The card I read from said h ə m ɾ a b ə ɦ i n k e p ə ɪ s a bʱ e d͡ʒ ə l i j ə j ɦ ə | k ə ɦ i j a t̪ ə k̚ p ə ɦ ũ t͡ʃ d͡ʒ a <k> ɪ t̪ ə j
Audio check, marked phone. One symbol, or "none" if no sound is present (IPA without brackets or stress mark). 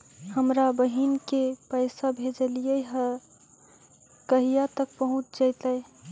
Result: none